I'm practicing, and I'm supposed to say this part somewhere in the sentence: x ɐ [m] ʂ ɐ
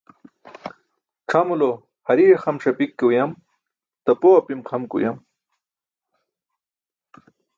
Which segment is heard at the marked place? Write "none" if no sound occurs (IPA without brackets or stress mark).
m